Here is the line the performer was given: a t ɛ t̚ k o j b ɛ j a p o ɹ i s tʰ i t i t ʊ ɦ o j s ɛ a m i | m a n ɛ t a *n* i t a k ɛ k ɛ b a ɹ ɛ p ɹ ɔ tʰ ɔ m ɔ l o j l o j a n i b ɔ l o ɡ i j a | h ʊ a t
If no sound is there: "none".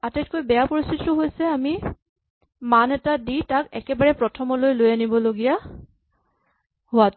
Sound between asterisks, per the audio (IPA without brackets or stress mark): d